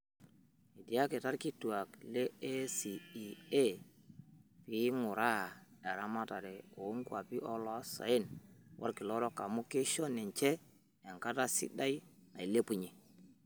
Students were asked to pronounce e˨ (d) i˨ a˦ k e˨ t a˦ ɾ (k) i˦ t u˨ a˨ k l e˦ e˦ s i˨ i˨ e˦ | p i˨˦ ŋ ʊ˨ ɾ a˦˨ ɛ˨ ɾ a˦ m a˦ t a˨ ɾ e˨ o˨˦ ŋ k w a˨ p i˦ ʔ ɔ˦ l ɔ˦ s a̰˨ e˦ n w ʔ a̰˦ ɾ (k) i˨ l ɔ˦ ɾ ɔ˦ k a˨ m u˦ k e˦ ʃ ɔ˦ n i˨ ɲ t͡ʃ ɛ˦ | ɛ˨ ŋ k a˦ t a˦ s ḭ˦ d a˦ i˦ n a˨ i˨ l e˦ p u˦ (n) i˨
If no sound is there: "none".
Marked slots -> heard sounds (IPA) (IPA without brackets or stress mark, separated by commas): d, k, k, ɲ